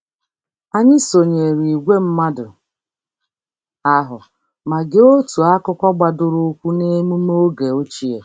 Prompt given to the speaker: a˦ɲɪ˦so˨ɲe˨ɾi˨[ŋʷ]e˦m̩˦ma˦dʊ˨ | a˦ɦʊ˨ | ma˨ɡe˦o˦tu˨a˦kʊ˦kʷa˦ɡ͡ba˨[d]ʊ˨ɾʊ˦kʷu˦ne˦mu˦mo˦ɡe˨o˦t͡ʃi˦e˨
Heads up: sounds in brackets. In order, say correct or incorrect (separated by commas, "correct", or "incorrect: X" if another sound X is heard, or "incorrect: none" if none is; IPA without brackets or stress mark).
incorrect: ɡʷ, correct